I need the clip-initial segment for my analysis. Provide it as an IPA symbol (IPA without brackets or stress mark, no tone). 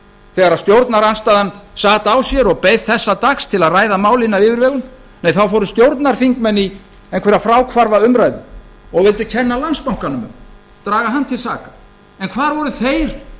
θ